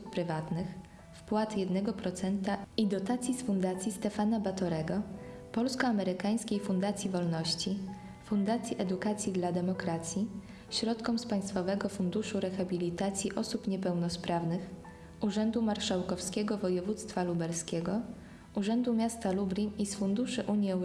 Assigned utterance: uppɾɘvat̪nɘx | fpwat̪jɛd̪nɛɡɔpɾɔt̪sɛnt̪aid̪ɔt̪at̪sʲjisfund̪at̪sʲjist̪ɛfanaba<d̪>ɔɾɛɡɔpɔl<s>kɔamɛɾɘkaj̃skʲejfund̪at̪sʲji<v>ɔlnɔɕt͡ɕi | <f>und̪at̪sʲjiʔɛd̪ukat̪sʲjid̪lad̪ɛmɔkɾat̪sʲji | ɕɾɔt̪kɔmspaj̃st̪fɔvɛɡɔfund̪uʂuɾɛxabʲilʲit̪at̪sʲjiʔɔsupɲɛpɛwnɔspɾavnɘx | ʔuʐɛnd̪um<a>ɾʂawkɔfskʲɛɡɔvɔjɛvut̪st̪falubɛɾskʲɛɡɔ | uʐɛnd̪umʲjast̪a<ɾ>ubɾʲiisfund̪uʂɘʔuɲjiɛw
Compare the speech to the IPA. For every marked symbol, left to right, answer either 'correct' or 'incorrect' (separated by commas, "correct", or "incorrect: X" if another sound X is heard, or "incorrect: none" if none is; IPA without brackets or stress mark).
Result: incorrect: t̪, correct, correct, correct, correct, incorrect: l